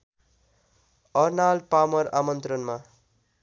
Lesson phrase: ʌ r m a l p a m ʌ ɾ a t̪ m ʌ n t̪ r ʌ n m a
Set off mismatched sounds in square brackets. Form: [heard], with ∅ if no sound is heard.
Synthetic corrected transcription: ʌ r [n] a l p a m ʌ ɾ a [∅] m ʌ n t̪ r ʌ n m a